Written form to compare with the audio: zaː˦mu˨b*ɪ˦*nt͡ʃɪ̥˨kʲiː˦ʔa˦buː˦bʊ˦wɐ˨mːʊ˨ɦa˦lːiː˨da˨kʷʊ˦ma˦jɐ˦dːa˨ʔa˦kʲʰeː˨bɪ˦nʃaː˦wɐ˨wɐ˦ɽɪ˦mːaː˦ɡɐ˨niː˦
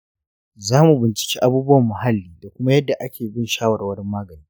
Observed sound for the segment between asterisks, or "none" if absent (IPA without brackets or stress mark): ɪ˨